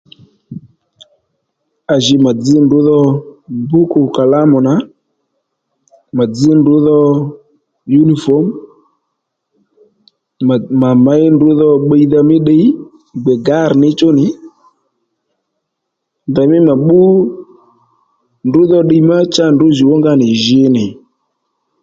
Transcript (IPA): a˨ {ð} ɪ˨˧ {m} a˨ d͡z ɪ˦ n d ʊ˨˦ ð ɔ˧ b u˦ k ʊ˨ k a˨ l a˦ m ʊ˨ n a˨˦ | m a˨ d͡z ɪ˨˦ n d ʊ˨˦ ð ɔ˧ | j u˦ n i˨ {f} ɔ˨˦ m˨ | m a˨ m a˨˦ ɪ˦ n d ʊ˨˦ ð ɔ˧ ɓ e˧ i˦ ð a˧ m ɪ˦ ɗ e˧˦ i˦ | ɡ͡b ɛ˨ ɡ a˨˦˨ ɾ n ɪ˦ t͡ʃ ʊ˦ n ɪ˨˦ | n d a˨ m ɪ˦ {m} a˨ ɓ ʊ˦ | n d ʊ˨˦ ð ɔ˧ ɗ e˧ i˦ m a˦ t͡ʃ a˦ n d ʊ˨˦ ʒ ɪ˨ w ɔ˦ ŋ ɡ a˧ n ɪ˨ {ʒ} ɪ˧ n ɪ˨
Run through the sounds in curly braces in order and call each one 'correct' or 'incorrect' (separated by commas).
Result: incorrect, correct, correct, correct, correct